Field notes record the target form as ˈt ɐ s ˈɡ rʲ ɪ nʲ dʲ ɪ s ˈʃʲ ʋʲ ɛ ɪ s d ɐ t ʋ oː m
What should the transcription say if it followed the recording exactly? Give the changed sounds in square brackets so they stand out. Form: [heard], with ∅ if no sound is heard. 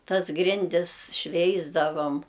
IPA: ˈt ɐ s ˈɡ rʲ ɪ nʲ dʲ ɪ s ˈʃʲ ʋʲ ɛ ɪ [z] d ɐ [∅] ʋ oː m

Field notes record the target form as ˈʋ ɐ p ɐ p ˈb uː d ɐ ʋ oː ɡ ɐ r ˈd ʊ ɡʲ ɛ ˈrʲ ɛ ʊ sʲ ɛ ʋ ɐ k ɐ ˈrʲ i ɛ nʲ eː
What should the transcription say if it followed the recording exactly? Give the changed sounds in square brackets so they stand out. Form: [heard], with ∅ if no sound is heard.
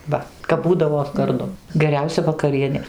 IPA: ˈʋ ɐ [k] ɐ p ˈb uː d ɐ ʋ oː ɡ ɐ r ˈd ʊ ɡʲ ɛ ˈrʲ ɛ ʊ sʲ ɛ ʋ ɐ k ɐ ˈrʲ i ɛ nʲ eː

